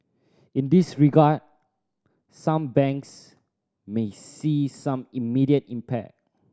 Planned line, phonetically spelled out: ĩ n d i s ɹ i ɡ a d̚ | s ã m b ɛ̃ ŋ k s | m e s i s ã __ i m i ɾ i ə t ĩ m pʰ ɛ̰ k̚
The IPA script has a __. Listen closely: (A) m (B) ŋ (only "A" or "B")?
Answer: A